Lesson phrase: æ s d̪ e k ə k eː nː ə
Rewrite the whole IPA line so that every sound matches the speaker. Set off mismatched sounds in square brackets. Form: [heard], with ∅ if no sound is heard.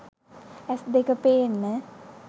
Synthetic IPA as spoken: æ s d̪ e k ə [p] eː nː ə